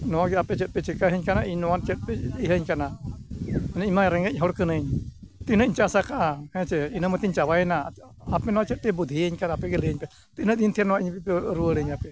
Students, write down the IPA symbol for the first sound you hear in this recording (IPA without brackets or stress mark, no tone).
n